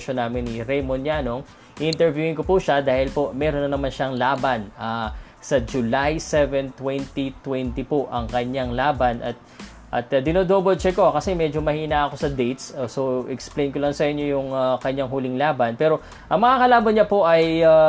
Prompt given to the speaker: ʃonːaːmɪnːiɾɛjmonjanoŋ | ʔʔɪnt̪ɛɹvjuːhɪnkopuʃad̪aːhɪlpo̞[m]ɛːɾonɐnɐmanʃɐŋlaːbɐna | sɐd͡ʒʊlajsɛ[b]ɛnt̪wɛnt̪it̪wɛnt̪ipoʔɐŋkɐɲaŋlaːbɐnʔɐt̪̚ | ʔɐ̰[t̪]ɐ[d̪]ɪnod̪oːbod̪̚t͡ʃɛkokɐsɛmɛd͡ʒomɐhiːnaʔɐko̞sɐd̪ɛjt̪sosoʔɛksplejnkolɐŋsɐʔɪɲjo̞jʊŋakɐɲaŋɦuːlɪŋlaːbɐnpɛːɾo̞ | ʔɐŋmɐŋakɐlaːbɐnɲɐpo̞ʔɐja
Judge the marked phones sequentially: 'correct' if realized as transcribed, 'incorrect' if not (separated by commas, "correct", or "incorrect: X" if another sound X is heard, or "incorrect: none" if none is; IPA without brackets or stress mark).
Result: correct, incorrect: v, correct, correct